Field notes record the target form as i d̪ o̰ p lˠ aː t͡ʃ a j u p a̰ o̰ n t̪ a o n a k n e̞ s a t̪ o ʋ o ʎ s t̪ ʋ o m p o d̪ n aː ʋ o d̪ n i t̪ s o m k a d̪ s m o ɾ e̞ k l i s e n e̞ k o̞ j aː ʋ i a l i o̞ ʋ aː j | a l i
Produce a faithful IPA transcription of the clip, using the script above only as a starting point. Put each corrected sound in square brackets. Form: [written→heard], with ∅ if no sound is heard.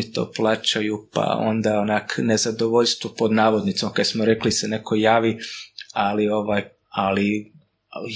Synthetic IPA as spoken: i [d̪→t̪] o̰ p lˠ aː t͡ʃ a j u p a̰ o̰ n [t̪→d̪] a o n a k n e̞ [s→z] a [t̪→d̪] o ʋ o ʎ s t̪ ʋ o [m→∅] p o d̪ n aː ʋ o d̪ n i t̪ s o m k a d̪ s m o ɾ e̞ k l i s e n e̞ k o̞ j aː ʋ i a l i o̞ ʋ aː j | a l i